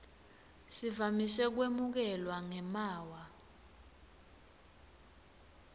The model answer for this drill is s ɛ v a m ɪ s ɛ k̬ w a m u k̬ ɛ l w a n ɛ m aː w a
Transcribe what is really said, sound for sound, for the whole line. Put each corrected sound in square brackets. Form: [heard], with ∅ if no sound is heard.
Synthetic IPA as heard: s [i] v a m [i] s ɛ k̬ w [e] m u k̬ ɛ l w a [ŋ] ɛ m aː w a